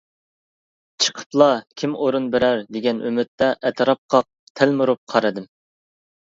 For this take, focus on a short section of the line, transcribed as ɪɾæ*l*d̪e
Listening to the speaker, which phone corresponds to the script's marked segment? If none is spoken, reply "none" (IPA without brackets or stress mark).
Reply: ɾ